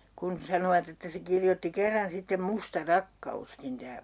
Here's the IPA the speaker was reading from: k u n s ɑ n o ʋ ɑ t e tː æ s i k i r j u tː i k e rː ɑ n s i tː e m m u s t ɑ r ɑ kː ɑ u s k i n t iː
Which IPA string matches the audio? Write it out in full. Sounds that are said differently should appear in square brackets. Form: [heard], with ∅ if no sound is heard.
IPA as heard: k u n s ɑ n o ʋ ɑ t e tː æ s [e] k i r j [o] tː i k e rː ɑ n s i tː e m m u s t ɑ r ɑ kː ɑ u s k i n t [æː]